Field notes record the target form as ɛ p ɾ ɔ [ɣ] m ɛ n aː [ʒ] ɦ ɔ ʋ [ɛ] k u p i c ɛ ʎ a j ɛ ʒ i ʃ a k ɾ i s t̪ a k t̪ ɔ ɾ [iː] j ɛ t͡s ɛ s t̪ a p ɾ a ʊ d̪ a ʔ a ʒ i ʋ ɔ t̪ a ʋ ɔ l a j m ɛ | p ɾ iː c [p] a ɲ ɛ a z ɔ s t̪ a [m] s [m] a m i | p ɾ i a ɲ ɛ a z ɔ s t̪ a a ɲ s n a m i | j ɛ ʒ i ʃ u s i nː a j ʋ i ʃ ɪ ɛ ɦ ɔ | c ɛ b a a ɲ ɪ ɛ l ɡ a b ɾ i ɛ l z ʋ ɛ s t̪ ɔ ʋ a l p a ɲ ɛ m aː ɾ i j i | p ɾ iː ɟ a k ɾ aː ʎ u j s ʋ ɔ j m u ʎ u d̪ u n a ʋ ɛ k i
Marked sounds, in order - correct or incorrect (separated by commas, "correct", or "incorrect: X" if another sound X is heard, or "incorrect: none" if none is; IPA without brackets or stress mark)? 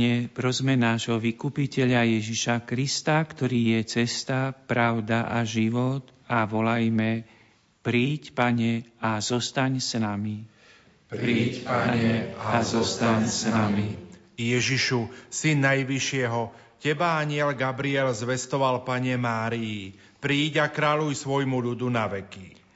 incorrect: z, correct, incorrect: i, correct, correct, incorrect: ɲ, incorrect: n